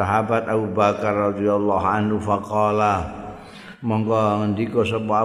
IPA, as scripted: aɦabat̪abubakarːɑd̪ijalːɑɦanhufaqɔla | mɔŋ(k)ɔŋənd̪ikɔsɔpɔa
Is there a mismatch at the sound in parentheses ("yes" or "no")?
no